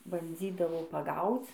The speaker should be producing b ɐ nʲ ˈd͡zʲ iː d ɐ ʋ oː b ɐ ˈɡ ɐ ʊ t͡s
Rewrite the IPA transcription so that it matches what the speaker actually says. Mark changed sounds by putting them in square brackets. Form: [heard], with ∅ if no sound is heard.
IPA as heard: b ɐ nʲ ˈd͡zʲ iː d ɐ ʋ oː [p] ɐ ˈɡ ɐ ʊ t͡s